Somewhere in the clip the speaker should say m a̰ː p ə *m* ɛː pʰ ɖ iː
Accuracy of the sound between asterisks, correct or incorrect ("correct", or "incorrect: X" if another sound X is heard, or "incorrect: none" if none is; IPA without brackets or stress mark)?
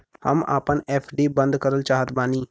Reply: incorrect: n